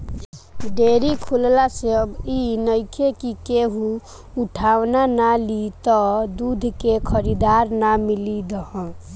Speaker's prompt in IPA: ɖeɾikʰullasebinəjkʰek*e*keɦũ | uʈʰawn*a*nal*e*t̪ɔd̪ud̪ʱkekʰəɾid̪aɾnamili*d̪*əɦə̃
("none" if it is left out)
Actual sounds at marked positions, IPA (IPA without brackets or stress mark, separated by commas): i, a, i, d̪